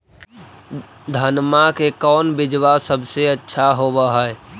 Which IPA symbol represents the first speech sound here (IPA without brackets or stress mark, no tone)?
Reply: d̪ʱ